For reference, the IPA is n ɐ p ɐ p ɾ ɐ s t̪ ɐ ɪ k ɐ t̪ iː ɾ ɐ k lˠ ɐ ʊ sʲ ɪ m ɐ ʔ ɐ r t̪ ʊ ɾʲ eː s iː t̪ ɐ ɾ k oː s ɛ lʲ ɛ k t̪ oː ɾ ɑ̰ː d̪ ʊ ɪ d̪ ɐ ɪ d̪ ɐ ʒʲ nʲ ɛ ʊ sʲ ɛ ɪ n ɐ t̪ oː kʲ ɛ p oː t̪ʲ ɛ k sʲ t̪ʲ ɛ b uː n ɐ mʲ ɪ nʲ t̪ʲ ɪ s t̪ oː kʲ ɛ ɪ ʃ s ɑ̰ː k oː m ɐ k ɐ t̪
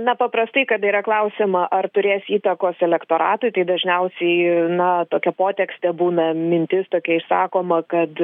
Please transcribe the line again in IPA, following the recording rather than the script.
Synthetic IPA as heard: n ɐ p ɐ p ɾ ɐ s t̪ ɐ ɪ k ɐ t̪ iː ɾ ɐ k lˠ ɐ ʊ sʲ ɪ m ɐ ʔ ɐ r t̪ ʊ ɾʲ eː s iː t̪ ɐ k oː s ɛ lʲ ɛ k t̪ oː ɾ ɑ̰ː t̪ ʊ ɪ t̪ ɐ ɪ d̪ ɐ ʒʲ nʲ ɛ ʊ sʲ ɛ ɪ n ɐ t̪ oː kʲ ɛ p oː t̪ʲ ɛ k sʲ t̪ʲ ɛ b uː n ɐ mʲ ɪ nʲ t̪ʲ ɪ s t̪ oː kʲ ɛ ɪ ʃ s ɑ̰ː k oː m ɐ k ɐ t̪

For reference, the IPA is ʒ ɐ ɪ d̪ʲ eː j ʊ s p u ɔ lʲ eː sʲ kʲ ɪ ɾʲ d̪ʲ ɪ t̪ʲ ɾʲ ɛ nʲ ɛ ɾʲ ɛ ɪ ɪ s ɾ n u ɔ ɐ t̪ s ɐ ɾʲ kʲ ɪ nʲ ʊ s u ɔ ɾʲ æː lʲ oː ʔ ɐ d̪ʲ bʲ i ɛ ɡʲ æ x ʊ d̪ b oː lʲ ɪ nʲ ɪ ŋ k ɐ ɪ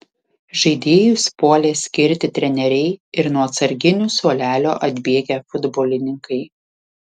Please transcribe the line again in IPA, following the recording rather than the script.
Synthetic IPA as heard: ʒ ɐ ɪ d̪ʲ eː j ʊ s p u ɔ lʲ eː sʲ kʲ ɪ ɾʲ t̪ʲ ɪ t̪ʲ ɾʲ ɛ nʲ ɛ ɾʲ ɛ ɪ ɪ ɾ n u ɔ ɐ t̪ s ɐ ɾʲ ɡʲ ɪ nʲ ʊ s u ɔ lʲ æː lʲ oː ʔ ɐ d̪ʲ bʲ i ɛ ɡʲ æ f ʊ d̪ b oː lʲ ɪ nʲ ɪ ŋ k ɐ ɪ

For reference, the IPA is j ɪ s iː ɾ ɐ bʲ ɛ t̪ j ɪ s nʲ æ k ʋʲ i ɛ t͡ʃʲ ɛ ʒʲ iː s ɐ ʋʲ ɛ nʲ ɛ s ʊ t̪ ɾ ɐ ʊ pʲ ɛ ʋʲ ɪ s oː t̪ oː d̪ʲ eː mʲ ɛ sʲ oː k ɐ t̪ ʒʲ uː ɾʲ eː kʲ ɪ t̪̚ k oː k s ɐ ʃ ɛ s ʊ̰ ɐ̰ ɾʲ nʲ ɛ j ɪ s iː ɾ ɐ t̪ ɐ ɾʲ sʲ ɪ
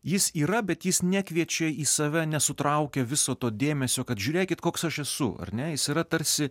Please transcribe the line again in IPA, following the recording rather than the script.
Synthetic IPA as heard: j ɪ s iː ɾ ɐ bʲ ɛ t̪ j ɪ s nʲ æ k ʋʲ i ɛ t͡ʃʲ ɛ iː s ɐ ʋʲ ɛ nʲ ɛ s ʊ t̪ ɾ ɐ ʊ kʲ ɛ ʋʲ ɪ s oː t̪ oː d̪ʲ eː mʲ ɛ sʲ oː k ɐ t̪ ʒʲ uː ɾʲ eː kʲ ɪ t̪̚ k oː k s ɐ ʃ ɛ s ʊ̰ ɐ̰ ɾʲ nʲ ɛ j ɪ s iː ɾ ɐ t̪ ɐ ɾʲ sʲ ɪ

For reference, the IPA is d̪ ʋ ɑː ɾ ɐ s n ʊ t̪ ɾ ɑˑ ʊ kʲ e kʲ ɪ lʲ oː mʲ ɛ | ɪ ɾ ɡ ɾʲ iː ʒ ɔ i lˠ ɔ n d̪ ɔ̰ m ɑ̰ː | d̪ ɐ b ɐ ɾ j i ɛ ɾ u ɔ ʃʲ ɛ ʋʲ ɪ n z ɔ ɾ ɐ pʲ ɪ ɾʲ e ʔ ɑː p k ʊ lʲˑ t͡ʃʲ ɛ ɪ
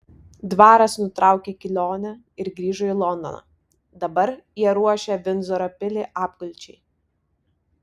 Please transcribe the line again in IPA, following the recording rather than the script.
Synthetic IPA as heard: d̪ ʋ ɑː ɾ ɐ s n ʊ t̪ ɾ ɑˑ ʊ kʲ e kʲ ɪ lʲ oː nʲ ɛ | ɪ ɾ ɡ ɾʲ iː ʒ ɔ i lˠ ɔ n d̪ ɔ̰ n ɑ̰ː | d̪ ɐ b ɐ ɾ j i ɛ ɾ u ɔ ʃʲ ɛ ʋʲ ɪ n z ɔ ɾ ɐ pʲ ɪ lʲ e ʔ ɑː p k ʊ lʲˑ t͡ʃʲ ɛ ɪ

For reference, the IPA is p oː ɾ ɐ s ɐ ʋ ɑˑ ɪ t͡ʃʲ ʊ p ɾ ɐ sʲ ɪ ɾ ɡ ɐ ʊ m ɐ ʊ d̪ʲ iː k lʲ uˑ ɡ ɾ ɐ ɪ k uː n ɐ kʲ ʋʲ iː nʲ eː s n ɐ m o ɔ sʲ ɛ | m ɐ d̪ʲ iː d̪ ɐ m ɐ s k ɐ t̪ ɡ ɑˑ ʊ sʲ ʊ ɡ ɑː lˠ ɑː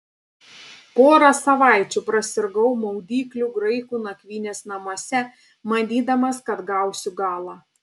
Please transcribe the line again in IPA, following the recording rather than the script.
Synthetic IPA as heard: p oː ɾ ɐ s ɐ ʋ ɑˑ ɪ t͡ʃʲ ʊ p ɾ ɐ sʲ ɪ ɾ ɡ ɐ ʊ m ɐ ʊ d̪ʲ iː k lʲ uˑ ɡ ɾ ɐ ɪ k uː n ɐ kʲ ʋʲ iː nʲ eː s n ɐ m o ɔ sʲ ɛ | m ɐ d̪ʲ iː d̪ ɐ m ɐ s k ɐ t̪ ɡ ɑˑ ʊ sʲ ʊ ɡ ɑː lˠ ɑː

